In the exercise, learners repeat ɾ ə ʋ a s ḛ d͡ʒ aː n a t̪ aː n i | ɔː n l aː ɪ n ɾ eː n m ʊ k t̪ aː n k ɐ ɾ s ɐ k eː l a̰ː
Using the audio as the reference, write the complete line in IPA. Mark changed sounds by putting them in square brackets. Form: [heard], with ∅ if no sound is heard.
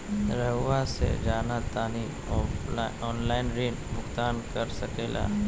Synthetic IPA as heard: ɾ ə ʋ a s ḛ d͡ʒ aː n a t̪ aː n i | ɔː n l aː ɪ n ɾ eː n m ʊ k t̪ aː n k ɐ ɾ s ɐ k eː l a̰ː